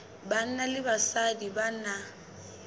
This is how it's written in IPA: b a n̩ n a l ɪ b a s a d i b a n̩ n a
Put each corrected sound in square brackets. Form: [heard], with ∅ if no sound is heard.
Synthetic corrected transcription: b a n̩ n a l ɪ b a s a d i b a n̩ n a